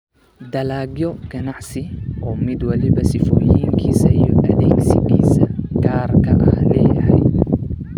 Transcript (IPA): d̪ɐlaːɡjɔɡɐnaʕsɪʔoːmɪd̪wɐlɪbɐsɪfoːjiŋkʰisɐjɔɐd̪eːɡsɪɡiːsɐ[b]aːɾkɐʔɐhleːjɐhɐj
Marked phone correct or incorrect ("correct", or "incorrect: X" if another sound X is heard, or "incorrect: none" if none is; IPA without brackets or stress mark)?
incorrect: ɡ